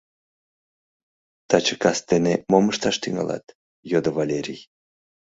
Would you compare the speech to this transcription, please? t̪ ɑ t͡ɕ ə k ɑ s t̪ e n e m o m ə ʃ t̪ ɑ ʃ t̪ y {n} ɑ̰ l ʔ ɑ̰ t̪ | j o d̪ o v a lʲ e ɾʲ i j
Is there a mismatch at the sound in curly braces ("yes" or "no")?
yes